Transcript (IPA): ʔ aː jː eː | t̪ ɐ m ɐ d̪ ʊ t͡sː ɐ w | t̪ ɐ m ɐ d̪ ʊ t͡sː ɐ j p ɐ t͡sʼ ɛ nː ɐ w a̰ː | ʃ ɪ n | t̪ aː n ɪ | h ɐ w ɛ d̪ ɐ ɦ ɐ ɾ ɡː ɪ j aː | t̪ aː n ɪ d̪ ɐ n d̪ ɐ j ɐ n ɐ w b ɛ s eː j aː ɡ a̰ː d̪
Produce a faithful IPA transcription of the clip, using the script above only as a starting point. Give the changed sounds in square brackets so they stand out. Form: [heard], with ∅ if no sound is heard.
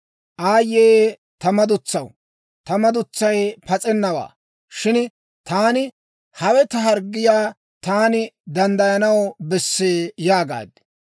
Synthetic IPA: ʔ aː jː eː | t̪ ɐ m ɐ d̪ ʊ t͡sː ɐ w | t̪ ɐ m ɐ d̪ ʊ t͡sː ɐ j p ɐ t͡sʼ ɛ nː ɐ w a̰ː | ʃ ɪ n | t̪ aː n ɪ | h ɐ w ɛ [t̪] ɐ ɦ ɐ ɾ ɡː ɪ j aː | t̪ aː n ɪ d̪ ɐ n d̪ ɐ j ɐ n ɐ w b ɛ [sː] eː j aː ɡ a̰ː d̪